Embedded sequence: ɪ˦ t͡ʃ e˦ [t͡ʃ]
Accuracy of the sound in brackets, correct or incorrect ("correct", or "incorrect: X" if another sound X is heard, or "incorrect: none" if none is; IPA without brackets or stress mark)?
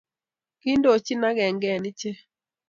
incorrect: none